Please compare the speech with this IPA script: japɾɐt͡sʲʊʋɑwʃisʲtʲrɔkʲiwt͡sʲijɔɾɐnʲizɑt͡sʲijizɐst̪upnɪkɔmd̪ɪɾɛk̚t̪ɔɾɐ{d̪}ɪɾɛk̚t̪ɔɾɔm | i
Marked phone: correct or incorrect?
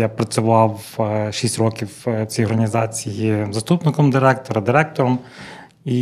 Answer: correct